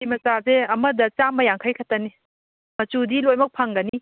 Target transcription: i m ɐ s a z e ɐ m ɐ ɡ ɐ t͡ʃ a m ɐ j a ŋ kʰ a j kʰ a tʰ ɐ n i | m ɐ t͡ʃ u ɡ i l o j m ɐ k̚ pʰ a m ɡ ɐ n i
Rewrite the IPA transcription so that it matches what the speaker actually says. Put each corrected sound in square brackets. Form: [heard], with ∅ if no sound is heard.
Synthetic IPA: i m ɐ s a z e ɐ m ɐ [d] ɐ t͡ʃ a m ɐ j a ŋ kʰ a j kʰ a [t] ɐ n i | m ɐ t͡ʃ u [d] i l o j m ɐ k̚ pʰ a [ŋ] ɡ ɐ n i